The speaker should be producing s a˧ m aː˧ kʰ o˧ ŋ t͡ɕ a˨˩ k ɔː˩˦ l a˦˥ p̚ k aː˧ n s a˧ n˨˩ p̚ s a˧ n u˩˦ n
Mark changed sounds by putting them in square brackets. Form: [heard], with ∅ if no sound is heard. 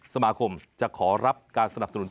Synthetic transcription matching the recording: s a˧ m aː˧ kʰ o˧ [m] t͡ɕ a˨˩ [kʰ] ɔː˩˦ [ɾ] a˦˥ p̚ k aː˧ n s a˧ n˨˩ p̚ s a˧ n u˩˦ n